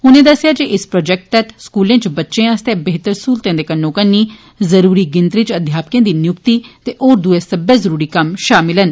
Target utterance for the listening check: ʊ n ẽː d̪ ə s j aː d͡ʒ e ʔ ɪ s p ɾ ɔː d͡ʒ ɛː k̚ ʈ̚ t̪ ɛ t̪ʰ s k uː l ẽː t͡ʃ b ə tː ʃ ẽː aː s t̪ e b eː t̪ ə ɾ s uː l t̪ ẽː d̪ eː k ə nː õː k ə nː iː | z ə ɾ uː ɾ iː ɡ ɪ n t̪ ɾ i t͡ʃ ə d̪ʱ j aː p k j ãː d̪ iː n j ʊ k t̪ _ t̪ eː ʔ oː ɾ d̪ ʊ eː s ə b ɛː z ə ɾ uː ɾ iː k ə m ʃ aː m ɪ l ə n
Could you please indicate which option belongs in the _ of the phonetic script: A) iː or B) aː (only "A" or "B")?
A